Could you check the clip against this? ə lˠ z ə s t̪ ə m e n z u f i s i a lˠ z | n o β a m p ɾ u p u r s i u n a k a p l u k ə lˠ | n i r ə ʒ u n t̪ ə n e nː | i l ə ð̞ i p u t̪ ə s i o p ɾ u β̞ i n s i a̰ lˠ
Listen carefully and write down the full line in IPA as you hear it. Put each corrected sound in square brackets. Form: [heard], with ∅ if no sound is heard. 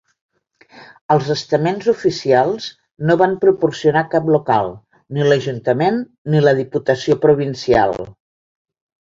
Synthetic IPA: ə lˠ z ə s t̪ ə m e n z u f i s i a lˠ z | n o β a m p ɾ u p u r s i u n a k a p l u k [a] lˠ | n i [l] ə ʒ u n t̪ ə [m] e nː | i l ə ð̞ i p u t̪ ə s i o p ɾ u β̞ i n s i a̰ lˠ